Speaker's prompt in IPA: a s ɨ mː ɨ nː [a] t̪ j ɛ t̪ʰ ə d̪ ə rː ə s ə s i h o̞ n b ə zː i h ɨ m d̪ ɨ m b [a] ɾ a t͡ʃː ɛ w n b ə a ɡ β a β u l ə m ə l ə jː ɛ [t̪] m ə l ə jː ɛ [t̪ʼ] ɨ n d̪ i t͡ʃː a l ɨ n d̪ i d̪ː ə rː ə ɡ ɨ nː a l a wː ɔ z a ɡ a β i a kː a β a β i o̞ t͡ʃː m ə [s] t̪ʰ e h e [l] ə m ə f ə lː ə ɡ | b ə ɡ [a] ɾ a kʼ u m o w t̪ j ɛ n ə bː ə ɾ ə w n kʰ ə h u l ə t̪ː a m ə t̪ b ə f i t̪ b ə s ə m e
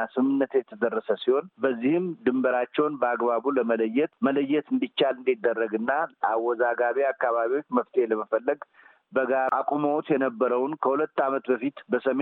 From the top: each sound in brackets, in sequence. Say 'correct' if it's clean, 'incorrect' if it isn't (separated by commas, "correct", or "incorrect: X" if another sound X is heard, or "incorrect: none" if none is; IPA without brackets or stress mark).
incorrect: ə, incorrect: ə, correct, incorrect: t̪, incorrect: f, correct, correct